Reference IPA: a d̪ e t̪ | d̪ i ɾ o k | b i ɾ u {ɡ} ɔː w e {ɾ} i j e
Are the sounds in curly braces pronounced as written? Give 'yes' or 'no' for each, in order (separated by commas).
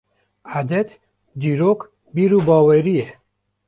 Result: no, yes